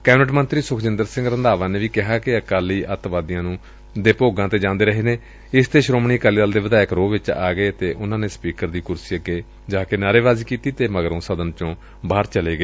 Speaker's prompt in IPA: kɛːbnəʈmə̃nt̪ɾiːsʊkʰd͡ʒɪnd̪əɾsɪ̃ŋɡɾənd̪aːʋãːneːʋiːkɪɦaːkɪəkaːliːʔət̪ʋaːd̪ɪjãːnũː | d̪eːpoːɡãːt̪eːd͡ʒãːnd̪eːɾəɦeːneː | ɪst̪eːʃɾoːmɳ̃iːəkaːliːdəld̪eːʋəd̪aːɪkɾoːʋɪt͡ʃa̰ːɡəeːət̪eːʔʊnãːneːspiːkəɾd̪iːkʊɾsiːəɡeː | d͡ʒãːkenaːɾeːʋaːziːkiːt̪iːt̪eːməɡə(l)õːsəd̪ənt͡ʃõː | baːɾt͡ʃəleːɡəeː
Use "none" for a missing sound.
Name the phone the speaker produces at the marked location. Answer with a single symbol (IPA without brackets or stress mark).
ɾ